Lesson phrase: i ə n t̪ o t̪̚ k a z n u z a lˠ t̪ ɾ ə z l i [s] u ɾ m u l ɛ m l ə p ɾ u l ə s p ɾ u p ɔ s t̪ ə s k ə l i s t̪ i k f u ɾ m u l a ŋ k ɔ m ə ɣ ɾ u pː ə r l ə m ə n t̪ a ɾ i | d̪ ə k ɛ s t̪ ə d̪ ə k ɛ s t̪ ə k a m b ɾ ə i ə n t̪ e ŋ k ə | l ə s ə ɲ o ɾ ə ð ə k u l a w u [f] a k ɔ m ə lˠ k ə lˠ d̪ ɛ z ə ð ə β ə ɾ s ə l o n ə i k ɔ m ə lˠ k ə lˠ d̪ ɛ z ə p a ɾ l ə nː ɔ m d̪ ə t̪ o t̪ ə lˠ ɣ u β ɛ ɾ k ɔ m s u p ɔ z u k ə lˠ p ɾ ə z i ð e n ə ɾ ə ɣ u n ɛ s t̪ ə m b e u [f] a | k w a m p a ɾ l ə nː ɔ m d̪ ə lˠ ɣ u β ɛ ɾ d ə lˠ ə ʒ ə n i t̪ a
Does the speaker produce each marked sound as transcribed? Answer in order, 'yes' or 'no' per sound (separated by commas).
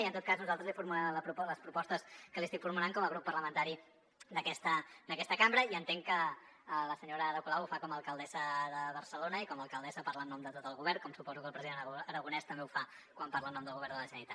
no, yes, yes